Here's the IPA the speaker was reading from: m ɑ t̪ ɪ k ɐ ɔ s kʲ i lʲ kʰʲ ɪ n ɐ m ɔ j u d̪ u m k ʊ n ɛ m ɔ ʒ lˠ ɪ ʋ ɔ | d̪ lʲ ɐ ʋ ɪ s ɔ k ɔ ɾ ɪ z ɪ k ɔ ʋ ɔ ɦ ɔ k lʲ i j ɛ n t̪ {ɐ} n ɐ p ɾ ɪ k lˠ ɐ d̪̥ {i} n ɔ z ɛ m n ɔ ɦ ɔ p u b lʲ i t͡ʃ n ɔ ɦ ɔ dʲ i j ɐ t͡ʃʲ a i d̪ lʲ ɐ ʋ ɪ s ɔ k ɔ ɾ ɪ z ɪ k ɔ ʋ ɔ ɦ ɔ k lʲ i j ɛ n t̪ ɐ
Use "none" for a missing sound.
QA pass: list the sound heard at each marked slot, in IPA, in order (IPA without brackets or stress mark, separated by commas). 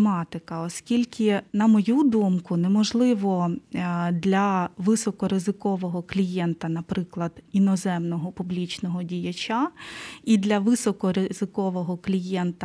ɐ, i